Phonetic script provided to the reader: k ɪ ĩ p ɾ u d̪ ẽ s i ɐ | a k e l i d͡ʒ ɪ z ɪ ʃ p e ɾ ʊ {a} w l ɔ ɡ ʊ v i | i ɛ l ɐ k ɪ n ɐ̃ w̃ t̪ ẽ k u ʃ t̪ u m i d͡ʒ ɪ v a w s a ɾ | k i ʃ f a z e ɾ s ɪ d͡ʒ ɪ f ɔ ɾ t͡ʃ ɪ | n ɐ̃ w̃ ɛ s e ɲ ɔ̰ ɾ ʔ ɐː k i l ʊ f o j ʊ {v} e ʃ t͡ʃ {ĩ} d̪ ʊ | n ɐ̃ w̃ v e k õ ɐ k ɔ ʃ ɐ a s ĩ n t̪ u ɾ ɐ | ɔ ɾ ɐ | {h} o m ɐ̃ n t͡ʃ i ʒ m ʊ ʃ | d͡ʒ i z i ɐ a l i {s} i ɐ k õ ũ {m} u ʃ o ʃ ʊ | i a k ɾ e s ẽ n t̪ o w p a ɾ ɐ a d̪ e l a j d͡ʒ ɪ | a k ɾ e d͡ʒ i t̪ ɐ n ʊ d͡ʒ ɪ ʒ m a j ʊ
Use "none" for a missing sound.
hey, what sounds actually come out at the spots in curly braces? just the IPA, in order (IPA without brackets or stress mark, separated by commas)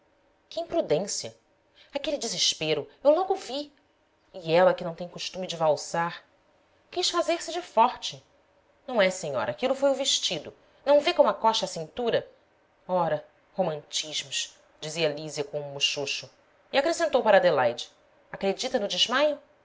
e, v, i, h, z, m